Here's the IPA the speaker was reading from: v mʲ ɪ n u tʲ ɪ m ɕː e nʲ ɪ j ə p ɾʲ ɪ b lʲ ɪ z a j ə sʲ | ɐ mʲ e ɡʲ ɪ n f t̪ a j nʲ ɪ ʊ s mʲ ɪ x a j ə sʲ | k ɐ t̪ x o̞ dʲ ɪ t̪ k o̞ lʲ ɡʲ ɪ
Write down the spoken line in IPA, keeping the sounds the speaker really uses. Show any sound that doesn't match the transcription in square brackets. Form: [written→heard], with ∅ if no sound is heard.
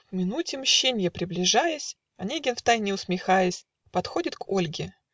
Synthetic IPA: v mʲ ɪ n u tʲ ɪ m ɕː e nʲ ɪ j ə p ɾʲ ɪ b lʲ ɪ [z→ʐ] a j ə sʲ | ɐ [mʲ→nʲ] e ɡʲ ɪ n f t̪ a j nʲ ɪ ʊ s mʲ ɪ x a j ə sʲ | [k→p] ɐ t̪ x o̞ dʲ ɪ t̪ k o̞ lʲ ɡʲ ɪ